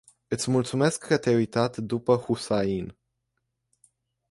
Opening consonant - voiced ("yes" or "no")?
no